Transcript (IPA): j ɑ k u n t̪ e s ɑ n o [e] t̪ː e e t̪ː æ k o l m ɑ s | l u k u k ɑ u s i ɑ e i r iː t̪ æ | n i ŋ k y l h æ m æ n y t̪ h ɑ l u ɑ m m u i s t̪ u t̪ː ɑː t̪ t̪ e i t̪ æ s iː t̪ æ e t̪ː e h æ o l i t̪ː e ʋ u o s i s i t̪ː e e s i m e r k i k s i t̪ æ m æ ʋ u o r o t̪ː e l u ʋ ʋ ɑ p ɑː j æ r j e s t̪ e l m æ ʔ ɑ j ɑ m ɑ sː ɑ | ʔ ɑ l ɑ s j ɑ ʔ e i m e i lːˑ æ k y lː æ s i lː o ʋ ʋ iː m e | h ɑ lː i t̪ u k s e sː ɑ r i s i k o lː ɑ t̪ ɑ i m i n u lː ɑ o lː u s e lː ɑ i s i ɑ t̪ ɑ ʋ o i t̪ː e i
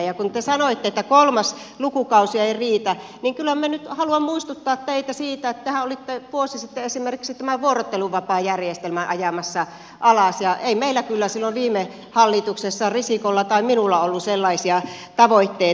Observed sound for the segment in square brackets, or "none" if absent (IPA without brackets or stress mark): i